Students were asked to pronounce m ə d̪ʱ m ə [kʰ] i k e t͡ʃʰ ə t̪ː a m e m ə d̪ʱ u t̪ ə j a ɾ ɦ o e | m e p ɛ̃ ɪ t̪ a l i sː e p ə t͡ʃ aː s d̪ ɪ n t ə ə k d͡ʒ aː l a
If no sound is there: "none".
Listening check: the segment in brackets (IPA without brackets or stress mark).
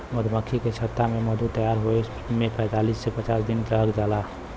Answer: kʰ